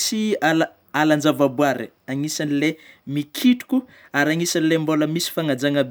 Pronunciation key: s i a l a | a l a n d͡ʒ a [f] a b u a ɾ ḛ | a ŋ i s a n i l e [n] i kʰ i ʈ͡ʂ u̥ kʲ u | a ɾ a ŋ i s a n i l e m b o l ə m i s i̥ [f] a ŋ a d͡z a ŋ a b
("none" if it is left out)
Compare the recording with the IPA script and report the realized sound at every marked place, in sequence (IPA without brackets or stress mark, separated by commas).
v, m, f